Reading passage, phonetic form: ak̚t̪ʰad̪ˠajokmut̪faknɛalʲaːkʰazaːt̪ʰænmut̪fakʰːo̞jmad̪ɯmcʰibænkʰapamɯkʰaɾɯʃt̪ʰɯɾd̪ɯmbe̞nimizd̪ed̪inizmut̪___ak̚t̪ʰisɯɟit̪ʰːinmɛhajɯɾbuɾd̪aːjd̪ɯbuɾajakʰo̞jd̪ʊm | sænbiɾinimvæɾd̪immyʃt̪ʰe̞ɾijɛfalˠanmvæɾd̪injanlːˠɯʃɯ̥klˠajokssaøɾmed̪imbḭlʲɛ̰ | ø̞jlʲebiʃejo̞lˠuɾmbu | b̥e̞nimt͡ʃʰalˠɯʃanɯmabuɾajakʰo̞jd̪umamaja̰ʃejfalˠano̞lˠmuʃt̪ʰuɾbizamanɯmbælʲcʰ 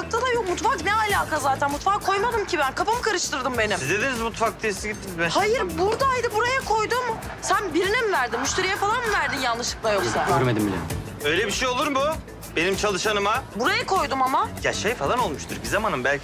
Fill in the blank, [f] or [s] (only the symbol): f